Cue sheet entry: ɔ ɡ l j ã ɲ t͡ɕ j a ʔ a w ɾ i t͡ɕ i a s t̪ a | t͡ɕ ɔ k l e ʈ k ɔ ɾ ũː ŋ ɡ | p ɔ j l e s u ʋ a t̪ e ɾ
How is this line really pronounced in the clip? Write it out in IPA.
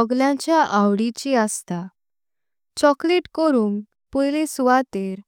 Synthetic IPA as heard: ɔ ɡ l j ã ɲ t͡ɕ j a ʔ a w ɽ i t͡ɕ i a s t̪ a | t͡ɕ ɔ k l e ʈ k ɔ ɾ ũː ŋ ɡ | p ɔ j l e s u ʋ a t̪ e ɾ